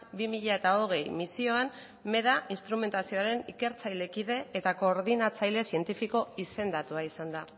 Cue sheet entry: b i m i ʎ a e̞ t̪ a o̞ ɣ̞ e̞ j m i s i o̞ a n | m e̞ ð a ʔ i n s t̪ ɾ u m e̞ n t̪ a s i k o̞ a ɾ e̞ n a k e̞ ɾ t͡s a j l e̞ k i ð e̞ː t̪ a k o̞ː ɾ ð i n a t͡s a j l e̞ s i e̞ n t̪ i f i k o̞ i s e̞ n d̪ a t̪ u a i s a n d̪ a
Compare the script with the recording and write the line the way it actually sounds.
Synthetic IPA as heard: b i m i ʎ a e̞ t̪ a o̞ ɣ̞ e̞ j m i s i o̞ a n | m e̞ ð a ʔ i n s t̪ ɾ u m e̞ n t̪ a s i o̞ a ɾ e̞ n i k e̞ ɾ t͡s a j l e̞ k i ð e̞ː t̪ a k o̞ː ɾ ð i n a t͡s a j l e̞ s i e̞ n t̪ i f i k o̞ i s e̞ n d̪ a t̪ u a i s a n d̪ a